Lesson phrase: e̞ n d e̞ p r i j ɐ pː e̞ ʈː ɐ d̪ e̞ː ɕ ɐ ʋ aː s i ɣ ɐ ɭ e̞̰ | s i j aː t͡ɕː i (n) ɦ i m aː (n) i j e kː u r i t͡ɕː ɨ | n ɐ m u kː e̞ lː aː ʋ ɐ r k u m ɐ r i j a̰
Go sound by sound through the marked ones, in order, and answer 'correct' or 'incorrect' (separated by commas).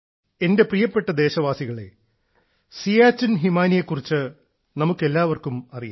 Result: correct, correct